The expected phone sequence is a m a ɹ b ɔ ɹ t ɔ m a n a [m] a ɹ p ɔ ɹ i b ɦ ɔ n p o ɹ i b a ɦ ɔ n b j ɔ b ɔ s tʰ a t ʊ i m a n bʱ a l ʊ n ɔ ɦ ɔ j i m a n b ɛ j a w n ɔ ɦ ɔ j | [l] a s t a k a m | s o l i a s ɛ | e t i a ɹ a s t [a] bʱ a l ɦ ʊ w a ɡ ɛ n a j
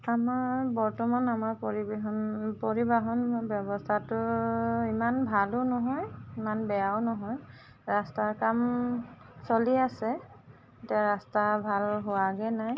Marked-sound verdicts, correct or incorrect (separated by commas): correct, incorrect, correct